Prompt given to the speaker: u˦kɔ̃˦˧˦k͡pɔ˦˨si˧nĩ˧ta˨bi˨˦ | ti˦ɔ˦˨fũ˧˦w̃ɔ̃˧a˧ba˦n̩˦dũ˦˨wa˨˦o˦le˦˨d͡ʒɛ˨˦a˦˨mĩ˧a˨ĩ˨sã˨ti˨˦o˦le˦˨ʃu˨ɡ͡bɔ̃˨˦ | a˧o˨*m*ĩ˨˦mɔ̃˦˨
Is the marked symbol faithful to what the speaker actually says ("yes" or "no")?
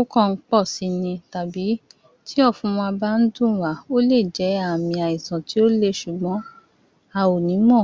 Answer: no